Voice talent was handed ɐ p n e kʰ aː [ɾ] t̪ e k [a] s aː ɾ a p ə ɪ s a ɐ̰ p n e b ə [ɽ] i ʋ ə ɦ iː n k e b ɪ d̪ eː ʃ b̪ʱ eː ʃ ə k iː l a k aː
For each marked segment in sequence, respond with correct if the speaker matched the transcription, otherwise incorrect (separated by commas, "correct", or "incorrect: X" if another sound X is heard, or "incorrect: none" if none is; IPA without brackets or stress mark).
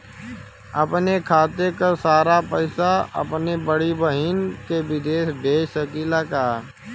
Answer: incorrect: none, correct, correct